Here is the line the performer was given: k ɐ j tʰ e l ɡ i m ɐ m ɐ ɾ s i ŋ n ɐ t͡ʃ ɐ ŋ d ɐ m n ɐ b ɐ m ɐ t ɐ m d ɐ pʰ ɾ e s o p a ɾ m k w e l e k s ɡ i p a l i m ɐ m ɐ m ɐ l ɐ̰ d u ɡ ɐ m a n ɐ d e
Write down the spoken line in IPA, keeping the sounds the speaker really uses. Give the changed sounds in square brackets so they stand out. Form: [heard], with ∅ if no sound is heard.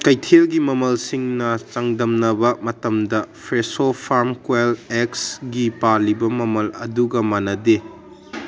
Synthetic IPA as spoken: k ɐ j tʰ e l ɡ i m ɐ m ɐ [l] s i ŋ n ɐ t͡ʃ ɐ ŋ d ɐ m n ɐ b ɐ m ɐ t ɐ m d ɐ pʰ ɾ e s o [pʰ] a ɾ m k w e l e k s ɡ i p a l i [b] ɐ m ɐ m ɐ l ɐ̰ d u ɡ ɐ m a n ɐ d e